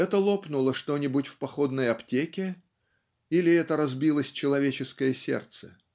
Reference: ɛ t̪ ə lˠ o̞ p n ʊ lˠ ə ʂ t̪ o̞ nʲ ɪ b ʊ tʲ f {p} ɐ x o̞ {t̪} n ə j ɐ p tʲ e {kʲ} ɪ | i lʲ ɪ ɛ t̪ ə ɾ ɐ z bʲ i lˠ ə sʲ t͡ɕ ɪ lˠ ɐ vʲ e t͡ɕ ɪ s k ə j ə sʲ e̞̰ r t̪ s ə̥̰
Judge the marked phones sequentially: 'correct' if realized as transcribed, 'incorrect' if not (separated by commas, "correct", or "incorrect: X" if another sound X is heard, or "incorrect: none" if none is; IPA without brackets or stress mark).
correct, incorrect: d̪, correct